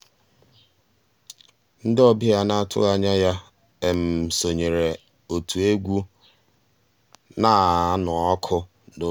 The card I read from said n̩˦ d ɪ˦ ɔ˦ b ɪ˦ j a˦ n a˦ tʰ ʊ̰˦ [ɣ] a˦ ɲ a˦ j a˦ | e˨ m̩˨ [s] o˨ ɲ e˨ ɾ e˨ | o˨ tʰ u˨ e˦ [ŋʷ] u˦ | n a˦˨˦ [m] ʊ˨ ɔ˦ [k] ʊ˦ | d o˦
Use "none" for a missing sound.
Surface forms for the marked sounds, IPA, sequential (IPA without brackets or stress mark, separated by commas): ɣ, s, ɡʷ, n, kʰ